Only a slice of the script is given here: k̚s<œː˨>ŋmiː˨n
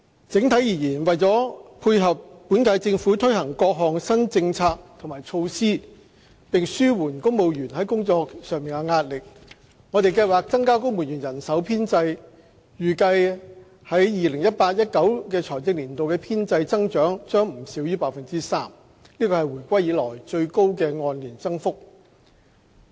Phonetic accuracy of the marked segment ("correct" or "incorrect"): correct